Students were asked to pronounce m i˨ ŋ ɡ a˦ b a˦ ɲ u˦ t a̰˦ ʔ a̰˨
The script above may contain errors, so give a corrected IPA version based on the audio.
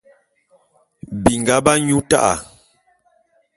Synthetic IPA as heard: b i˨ ŋ ɡ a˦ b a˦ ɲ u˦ t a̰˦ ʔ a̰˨